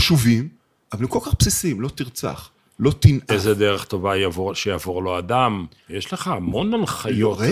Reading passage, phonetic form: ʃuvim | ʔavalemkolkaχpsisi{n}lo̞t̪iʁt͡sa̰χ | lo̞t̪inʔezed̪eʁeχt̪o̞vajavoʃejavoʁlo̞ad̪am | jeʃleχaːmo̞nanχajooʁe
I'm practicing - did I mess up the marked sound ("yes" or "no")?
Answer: yes